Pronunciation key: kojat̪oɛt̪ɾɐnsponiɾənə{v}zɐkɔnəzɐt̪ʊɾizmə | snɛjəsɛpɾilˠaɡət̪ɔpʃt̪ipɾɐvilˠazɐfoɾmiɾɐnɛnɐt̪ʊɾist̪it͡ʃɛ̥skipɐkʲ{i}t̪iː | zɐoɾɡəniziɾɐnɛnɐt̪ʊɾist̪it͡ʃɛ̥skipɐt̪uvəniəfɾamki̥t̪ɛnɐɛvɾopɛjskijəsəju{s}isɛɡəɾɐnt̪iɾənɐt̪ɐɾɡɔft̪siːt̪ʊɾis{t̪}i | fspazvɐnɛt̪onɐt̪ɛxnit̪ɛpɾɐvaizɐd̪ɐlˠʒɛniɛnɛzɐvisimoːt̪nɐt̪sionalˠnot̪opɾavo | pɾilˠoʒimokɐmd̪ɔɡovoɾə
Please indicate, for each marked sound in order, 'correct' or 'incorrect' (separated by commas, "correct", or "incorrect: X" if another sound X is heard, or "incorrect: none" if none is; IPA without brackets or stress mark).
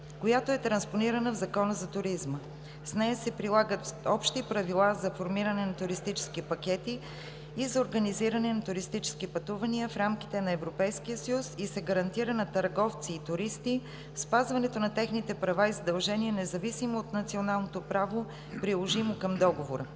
correct, incorrect: ɛ, correct, correct